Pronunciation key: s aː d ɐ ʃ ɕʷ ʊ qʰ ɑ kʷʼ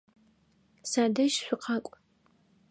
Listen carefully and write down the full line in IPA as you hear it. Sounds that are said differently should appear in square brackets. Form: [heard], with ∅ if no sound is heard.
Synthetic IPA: s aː d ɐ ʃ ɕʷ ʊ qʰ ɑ kʷʼ

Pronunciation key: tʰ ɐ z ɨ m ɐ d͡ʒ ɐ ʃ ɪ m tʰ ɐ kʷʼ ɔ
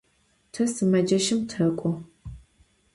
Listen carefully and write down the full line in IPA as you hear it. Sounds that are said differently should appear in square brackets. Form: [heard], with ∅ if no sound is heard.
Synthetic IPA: tʰ ɐ [s] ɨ m ɐ d͡ʒ ɐ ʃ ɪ m tʰ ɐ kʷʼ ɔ

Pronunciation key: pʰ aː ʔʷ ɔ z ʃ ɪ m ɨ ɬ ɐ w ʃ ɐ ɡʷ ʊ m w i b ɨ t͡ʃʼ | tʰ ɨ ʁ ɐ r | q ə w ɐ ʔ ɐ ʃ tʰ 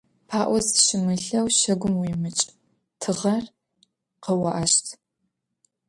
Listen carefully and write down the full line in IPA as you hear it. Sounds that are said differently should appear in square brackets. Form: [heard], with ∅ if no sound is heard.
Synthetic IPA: pʰ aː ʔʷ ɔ z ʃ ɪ m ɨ ɬ ɐ w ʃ ɐ ɡʷ ʊ m w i [m] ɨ t͡ʃʼ | tʰ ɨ ʁ ɐ r | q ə w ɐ ʔ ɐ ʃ tʰ

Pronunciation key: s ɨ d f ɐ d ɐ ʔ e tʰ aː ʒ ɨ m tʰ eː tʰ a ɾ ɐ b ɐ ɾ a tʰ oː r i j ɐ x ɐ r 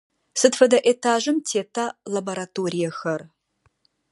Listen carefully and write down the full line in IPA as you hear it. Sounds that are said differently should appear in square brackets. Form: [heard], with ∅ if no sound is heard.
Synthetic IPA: s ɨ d f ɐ d ɐ ʔ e tʰ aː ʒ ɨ m tʰ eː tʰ a [l] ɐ b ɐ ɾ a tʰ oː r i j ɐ x ɐ r

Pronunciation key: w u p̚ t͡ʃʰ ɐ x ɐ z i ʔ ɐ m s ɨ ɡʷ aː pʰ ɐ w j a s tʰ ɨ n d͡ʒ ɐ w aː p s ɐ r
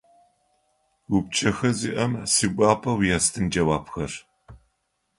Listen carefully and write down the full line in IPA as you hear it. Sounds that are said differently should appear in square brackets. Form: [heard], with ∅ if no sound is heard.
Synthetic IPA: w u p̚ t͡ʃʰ ɐ x ɐ z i ʔ ɐ m s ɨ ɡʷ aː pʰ ɐ w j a s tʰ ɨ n d͡ʒ ɐ w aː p [x] ɐ r

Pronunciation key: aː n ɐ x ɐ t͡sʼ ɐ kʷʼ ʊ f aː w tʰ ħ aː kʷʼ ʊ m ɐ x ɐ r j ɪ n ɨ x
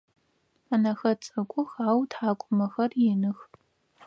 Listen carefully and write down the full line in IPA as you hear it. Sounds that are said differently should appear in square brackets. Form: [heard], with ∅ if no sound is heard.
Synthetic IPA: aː n ɐ x ɐ t͡sʼ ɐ kʷʼ ʊ [x] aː w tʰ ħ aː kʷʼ ʊ m ɐ x ɐ r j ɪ n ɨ x

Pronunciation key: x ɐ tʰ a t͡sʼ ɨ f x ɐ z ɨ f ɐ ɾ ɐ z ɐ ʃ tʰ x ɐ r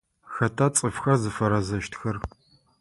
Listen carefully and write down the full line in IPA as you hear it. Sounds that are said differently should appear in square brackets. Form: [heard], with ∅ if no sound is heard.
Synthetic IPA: x ɐ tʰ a t͡sʼ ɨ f x ɐ z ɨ f ɐ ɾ ɐ z ɐ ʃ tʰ x ɐ r

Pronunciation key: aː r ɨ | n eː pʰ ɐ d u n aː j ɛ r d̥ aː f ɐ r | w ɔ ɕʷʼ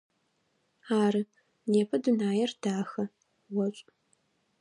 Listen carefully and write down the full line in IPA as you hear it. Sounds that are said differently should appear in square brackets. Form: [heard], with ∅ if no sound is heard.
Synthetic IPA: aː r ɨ | n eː pʰ ɐ d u n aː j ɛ r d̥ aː [x] ɐ [∅] | w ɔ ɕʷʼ

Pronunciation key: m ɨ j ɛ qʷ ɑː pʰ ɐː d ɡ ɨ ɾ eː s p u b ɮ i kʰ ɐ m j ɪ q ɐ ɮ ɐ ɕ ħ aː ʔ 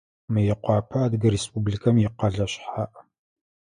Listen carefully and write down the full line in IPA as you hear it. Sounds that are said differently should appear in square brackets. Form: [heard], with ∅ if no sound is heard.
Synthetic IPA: m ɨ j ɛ qʷ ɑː pʰ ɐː d ɡ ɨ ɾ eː s p u b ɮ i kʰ ɐ m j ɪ q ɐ ɮ ɐ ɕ ħ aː ʔ

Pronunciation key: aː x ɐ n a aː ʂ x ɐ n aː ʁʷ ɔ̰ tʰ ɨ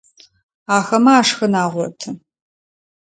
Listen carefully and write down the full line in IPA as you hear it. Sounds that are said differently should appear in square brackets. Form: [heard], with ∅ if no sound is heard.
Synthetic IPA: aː x ɐ [m] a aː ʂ x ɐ n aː ʁʷ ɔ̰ tʰ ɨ

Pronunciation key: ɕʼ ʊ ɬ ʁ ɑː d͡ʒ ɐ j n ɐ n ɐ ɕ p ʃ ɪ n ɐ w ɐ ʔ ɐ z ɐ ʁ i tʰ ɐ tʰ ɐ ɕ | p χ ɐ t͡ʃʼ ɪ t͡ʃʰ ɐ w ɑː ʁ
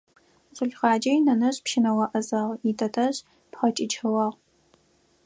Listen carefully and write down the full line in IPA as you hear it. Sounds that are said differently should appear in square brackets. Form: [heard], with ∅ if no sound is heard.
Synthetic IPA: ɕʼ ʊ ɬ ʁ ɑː d͡ʒ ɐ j n ɐ n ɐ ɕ p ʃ ɪ n ɐ w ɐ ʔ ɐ z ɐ ʁ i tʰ ɐ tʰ ɐ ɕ | p χ ɐ t͡ʃʼ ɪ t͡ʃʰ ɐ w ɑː ʁ

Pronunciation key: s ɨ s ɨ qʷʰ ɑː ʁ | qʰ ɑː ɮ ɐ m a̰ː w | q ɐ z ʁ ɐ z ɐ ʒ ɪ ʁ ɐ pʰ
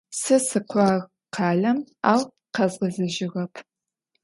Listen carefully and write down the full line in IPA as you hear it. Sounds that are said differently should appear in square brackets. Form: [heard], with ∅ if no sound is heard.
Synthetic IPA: s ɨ s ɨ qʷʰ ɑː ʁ | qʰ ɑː ɮ ɐ m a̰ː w | q ɐ z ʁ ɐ z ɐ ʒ ɪ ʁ ɐ pʰ

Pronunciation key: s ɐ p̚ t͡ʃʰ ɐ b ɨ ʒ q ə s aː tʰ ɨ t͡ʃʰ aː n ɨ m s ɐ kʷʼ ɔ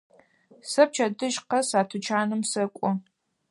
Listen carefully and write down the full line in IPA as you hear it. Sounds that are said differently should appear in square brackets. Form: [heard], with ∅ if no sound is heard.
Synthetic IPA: s ɐ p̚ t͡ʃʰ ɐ [d] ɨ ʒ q [ɐ] s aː tʰ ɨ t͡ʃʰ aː n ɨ m s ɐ kʷʼ ɔ

